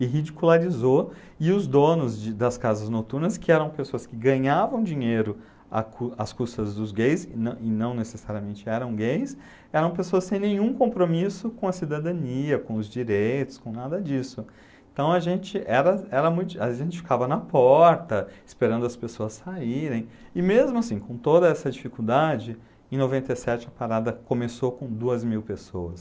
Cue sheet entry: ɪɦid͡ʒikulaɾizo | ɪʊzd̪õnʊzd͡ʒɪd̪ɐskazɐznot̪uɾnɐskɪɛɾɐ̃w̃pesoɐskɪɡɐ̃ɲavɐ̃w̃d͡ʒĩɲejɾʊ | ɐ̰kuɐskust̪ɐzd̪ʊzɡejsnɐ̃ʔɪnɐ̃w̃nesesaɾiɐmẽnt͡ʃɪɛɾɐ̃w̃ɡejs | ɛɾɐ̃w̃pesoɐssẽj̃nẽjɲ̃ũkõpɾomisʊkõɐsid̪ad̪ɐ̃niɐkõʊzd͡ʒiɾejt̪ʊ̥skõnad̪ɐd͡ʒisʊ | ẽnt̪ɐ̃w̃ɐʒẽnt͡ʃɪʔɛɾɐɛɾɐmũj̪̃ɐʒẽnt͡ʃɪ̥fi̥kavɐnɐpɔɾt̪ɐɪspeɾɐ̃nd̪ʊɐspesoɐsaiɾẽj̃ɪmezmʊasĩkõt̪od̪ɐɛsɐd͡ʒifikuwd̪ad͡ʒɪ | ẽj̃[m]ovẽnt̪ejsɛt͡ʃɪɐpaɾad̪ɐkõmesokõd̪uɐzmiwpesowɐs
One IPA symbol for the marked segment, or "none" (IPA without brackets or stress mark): n